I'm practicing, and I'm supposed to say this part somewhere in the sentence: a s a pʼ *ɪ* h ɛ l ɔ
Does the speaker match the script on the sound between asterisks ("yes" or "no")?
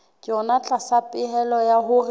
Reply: yes